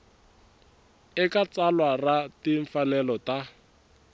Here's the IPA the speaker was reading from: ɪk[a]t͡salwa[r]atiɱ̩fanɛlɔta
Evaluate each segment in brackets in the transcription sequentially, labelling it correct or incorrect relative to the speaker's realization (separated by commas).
correct, correct